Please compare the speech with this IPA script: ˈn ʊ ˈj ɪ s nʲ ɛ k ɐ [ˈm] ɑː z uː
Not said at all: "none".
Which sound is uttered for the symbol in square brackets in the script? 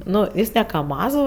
m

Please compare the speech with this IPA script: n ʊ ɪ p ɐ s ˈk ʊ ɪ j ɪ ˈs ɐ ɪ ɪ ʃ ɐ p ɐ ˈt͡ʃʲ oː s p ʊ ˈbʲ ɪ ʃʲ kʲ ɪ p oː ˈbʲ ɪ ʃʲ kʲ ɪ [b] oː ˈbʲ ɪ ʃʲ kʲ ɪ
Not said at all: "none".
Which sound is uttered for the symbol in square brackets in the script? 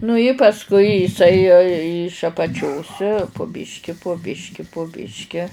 p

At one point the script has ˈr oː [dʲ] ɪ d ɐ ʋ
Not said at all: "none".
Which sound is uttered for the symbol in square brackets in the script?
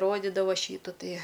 dʲ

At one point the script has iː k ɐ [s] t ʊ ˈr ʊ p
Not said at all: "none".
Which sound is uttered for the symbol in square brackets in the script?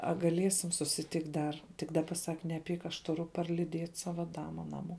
ʃ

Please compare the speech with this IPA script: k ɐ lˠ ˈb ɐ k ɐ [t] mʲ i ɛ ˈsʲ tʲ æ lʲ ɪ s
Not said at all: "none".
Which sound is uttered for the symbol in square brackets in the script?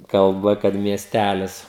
t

